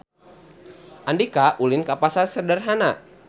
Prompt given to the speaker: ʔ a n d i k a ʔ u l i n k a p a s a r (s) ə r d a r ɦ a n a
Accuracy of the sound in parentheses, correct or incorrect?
correct